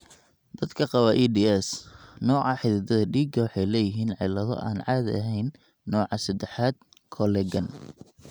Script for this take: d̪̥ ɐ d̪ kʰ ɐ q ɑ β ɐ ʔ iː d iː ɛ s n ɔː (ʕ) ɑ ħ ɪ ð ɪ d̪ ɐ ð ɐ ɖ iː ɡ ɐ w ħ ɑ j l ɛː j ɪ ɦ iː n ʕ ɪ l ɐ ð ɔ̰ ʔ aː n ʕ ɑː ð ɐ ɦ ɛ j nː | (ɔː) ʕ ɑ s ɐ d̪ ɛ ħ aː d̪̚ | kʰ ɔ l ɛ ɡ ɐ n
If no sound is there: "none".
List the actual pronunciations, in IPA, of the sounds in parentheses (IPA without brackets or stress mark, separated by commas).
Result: ʕ, ɔː